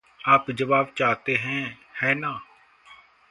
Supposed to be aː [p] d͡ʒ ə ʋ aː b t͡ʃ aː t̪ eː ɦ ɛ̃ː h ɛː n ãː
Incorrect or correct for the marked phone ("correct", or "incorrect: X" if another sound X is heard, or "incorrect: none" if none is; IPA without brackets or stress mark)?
correct